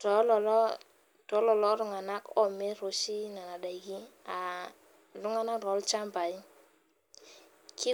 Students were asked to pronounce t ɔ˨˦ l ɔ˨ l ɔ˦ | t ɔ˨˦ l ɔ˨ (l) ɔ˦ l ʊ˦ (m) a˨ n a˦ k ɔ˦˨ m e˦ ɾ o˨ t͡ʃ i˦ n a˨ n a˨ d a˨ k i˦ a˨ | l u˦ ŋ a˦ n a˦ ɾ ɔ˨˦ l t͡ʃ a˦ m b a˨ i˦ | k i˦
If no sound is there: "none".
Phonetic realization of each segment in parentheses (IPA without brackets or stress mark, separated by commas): l, ŋ